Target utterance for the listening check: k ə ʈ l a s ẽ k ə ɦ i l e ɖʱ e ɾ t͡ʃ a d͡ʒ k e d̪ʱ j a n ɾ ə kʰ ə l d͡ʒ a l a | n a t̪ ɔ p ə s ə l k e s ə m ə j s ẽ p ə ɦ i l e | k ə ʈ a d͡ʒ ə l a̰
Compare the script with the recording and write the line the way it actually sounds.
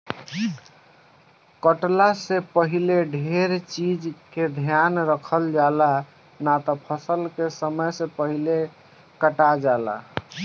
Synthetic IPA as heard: k ə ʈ l a s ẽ p ə ɦ i l e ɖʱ e ɾ t͡ʃ i d͡ʒ k e d̪ʱ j a n ɾ ə kʰ ə l d͡ʒ a l a | n a t̪ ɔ pʰ ə s ə l k e s ə m ə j s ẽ p ə ɦ i l e | k ə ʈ a d͡ʒ a l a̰